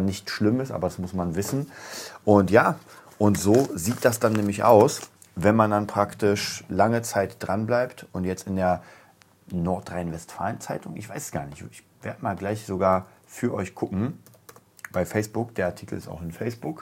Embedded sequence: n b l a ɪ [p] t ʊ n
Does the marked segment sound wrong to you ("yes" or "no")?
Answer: no